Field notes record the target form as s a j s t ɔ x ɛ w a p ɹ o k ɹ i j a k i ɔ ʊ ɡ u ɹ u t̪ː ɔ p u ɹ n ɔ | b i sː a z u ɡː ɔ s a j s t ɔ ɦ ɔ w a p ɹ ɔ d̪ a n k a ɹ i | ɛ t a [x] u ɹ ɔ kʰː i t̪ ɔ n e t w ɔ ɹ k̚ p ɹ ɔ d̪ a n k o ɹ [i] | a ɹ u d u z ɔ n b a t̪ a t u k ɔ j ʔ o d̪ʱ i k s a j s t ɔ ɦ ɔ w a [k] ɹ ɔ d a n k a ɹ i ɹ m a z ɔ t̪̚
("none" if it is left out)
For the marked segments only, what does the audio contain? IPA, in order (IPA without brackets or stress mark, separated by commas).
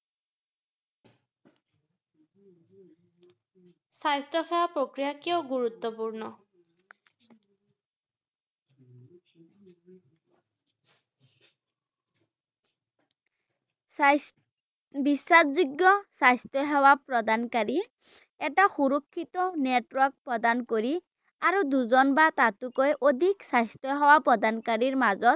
x, i, p